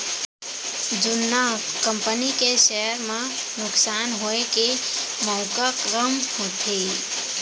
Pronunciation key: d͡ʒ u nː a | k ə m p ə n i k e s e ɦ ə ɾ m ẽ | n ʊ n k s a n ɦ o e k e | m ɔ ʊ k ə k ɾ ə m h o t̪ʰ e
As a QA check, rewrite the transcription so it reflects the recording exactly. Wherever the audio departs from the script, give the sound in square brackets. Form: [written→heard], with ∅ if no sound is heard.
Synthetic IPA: d͡ʒ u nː a | k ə m p ə n i k e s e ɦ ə ɾ m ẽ | n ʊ [n→∅] k s a n ɦ o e k e | m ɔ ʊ k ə k ɾ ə m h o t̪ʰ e